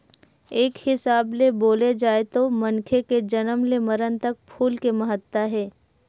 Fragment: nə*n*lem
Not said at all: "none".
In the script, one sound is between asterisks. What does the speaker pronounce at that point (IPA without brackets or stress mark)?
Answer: m